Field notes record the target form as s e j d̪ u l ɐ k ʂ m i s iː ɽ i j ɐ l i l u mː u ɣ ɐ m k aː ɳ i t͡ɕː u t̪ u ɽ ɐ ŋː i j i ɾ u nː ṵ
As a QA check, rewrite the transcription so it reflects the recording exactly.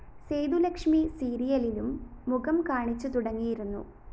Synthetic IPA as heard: s e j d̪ u l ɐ k ʂ m i s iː ɾ i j ɐ l i l u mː u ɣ ɐ m k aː ɳ i t͡ɕː u t̪ u ɽ ɐ ŋː i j i ɾ u nː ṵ

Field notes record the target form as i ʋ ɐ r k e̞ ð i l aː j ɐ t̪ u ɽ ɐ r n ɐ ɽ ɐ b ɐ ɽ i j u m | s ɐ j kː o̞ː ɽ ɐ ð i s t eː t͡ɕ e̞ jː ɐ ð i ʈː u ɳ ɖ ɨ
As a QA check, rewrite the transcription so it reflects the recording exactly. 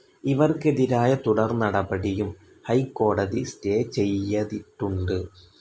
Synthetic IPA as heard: i ʋ ɐ r k e̞ ð i ɾ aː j ɐ t̪ u ɽ ɐ r n ɐ ɽ ɐ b ɐ ɽ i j u m | h ɐ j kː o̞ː ɽ ɐ ð i s t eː t͡ɕ e̞ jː ɐ ð i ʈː u ɳ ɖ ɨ

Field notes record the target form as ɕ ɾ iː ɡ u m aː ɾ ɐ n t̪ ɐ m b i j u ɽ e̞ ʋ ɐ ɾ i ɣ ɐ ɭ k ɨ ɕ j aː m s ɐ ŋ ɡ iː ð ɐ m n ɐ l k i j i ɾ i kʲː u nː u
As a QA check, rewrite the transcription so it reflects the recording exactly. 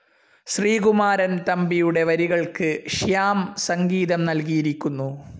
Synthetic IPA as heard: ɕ r iː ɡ u m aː ɾ ɐ n t̪ ɐ m b i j u ɽ e̞ ʋ ɐ ɾ i ɣ ɐ ɭ k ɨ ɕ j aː m s ɐ ŋ ɡ iː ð ɐ m n ɐ l k i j i ɾ i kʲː u nː u

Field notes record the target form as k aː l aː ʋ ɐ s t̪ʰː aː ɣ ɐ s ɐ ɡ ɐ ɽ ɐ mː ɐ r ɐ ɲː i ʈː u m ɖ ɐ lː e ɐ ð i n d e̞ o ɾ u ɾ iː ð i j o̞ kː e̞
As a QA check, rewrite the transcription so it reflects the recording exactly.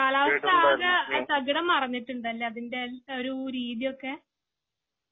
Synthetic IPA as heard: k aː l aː ʋ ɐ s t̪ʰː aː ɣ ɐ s ɐ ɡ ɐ ɽ ɐ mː ɐ r ɐ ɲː i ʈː u ɳ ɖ ɐ lː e ɐ ð i n d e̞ o ɾ u ɾ iː ð i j o̞ kː e̞

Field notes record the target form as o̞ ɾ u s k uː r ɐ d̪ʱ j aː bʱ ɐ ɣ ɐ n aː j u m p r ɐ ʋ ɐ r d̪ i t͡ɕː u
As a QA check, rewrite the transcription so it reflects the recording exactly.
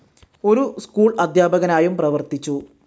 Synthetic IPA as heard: o̞ ɾ u s k uː ɭ ɐ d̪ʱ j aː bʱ ɐ ɣ ɐ n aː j u m p r ɐ ʋ ɐ r t̪ i t͡ɕː u

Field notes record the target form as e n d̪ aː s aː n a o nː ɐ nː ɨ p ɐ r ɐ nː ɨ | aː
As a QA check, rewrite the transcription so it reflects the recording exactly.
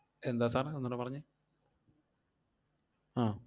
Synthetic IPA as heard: e n d̪ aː s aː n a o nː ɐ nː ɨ p ɐ r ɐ ɲː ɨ | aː

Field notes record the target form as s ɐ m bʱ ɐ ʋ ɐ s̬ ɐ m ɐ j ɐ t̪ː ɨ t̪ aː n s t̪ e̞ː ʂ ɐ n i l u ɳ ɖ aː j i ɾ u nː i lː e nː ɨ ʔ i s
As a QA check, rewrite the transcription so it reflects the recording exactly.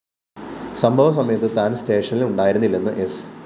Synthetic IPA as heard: s ɐ m bʱ ɐ ʋ ɐ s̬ ɐ m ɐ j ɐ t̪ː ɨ t̪ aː n s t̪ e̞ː ʂ ɐ n i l u ɳ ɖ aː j i ɾ u nː i lː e nː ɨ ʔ e s

